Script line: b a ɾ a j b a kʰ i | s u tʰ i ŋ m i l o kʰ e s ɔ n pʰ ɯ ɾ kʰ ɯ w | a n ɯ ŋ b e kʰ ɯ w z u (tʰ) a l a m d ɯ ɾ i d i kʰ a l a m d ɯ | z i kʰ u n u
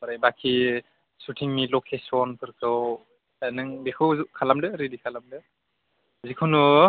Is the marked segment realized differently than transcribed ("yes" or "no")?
yes